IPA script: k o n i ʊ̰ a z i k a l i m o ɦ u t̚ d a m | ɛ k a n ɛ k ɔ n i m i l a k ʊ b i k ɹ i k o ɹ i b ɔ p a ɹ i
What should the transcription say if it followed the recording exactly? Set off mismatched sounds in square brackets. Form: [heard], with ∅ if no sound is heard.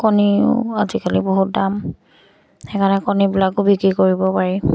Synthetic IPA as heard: k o n i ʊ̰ a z i k a l i [b] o ɦ u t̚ d a m | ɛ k a n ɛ k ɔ n i [b] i l a k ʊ b i k ɹ i k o ɹ i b ɔ p a ɹ i